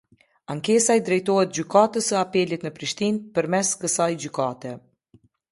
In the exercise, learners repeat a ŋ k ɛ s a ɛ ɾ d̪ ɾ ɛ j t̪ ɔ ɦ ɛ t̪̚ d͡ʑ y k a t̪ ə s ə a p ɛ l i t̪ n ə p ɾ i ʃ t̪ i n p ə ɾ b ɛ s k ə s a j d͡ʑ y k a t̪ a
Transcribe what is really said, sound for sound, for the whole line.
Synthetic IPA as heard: a ŋ k ɛ s a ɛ d̪ ɾ ɛ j t̪ ɔ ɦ ɛ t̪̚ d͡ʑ y k a t̪ ə s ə a p ɛ l i t̪ n ə p ɾ i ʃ t̪ i n p ə ɾ m ɛ s k ə s a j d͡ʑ y k a t̪ ɛ